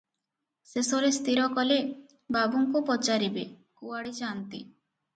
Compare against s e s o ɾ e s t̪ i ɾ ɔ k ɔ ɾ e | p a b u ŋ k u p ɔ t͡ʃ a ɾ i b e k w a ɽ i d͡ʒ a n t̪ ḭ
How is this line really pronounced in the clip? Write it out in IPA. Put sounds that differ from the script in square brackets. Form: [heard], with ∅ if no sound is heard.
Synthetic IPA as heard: s e s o ɾ e s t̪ i ɾ ɔ k ɔ [l] e | [b] a b u ŋ k u p ɔ t͡ʃ a ɾ i b e k [u] a ɽ i d͡ʒ a n t̪ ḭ